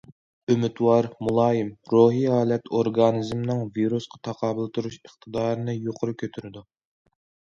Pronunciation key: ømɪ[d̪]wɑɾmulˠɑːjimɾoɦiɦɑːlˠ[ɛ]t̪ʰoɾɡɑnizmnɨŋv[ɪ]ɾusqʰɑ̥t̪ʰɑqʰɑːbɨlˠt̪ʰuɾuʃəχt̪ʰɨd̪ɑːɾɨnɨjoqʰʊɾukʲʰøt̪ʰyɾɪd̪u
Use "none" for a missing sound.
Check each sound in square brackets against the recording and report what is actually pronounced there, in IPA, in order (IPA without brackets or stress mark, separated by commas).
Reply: t̪, ɛ, i